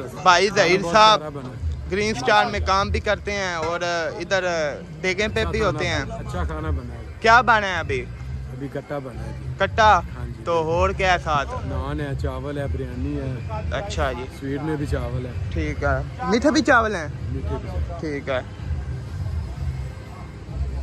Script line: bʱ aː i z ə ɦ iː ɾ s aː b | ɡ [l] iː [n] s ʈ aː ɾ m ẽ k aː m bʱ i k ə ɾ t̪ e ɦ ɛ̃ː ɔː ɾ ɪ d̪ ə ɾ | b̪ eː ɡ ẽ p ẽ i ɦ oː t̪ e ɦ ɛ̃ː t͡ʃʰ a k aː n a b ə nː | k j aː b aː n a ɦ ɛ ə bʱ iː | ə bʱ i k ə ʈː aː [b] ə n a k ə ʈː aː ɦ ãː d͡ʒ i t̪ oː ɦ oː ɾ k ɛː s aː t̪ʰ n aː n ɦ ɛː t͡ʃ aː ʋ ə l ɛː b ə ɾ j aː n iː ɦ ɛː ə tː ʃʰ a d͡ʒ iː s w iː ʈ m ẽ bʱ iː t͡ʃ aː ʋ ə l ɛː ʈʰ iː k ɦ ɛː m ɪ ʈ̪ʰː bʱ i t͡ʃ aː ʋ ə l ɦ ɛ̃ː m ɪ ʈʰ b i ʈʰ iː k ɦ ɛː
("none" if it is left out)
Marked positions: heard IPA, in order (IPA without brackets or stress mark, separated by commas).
ɾ, n, b